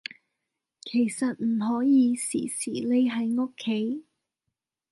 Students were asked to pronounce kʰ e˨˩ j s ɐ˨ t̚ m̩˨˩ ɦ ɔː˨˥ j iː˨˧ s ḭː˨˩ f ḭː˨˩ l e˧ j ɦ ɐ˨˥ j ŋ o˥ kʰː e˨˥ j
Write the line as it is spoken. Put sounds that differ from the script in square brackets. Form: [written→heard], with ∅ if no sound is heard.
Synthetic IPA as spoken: kʰ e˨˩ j s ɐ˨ t̚ m̩˨˩ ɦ ɔː˨˥ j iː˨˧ s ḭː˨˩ [f→s] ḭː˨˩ l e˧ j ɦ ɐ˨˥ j ŋ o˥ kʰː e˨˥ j